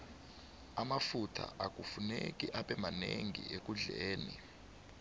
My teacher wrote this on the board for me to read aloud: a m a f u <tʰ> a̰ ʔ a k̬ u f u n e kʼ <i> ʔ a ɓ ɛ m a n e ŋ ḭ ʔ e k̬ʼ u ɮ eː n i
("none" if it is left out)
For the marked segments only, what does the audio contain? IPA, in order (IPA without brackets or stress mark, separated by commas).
tʰ, i